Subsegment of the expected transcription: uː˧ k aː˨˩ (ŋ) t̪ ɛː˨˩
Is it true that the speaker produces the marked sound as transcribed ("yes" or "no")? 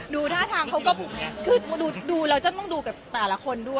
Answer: no